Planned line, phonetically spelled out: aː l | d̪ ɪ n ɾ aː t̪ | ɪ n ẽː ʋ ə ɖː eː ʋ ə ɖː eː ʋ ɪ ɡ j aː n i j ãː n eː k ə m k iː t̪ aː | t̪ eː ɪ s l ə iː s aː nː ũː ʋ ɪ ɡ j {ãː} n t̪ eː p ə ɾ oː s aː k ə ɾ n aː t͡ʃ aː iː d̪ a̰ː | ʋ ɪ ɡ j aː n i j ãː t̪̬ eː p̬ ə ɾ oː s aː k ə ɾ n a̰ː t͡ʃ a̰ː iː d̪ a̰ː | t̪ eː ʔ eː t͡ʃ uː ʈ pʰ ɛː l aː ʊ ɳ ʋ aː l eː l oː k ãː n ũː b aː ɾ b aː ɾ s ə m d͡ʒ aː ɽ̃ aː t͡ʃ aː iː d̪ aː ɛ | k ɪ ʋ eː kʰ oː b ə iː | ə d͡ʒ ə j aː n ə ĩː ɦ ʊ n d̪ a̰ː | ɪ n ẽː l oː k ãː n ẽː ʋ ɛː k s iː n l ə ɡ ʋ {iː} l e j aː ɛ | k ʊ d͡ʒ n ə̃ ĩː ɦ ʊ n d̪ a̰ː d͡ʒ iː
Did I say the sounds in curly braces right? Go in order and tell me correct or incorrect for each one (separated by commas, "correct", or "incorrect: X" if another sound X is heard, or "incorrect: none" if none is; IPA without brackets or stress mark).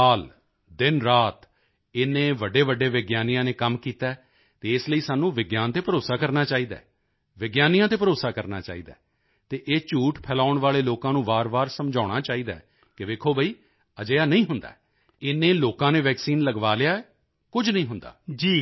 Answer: incorrect: aː, incorrect: aː